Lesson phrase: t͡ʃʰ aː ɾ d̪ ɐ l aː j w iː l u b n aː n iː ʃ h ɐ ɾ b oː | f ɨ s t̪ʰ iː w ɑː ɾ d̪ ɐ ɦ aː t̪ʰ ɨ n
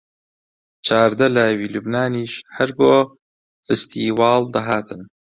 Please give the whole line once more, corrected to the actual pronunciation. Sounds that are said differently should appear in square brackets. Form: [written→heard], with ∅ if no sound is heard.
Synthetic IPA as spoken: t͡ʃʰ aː ɾ d̪ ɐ l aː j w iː l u b n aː n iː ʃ h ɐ ɾ b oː | f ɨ s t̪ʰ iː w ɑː [ɾ→l] d̪ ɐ ɦ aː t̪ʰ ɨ n